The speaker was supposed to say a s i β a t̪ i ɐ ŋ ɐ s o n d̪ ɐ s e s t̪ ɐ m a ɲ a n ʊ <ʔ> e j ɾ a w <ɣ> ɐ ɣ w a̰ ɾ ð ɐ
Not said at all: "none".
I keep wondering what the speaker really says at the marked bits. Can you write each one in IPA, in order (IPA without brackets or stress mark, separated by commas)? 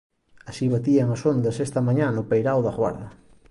p, ð